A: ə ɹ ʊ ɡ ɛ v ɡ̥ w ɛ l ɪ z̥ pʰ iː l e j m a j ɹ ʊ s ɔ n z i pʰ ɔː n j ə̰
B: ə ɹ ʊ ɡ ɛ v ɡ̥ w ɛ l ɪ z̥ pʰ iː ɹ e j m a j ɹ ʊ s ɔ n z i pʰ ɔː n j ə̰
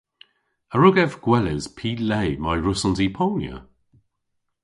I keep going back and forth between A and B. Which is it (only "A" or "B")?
A